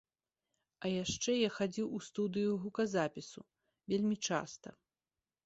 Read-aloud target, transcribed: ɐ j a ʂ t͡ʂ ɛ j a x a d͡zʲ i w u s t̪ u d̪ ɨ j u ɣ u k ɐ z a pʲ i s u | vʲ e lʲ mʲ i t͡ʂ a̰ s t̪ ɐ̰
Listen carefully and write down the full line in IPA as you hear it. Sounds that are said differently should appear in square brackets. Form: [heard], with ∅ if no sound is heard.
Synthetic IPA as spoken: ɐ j a ʂ t͡ʂ ɛ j a x a d͡zʲ i w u s t̪ u d̪ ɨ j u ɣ u k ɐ z a pʲ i s u | vʲ e lʲ mʲ i t͡ʂ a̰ s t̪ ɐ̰